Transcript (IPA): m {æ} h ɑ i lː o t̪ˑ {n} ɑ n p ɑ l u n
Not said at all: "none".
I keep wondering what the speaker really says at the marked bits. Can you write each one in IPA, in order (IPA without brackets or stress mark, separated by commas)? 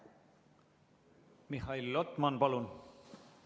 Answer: i, m